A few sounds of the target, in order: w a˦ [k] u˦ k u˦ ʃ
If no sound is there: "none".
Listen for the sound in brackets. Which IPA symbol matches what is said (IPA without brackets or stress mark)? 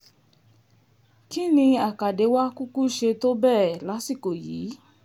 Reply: k